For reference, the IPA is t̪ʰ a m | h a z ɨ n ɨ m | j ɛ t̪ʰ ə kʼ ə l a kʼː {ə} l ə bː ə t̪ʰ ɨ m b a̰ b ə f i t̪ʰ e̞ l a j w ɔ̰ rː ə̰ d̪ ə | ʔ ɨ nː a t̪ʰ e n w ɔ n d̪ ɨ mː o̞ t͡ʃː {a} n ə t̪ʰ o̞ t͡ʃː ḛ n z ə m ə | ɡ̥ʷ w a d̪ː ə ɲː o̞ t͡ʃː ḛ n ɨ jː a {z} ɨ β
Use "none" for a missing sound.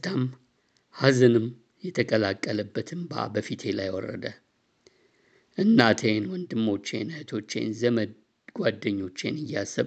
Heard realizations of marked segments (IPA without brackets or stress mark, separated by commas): ə, e, s